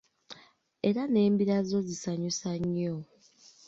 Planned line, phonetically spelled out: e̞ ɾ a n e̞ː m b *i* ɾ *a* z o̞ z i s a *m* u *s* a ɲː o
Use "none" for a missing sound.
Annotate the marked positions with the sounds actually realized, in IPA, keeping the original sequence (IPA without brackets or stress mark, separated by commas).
i, a, ɲ, s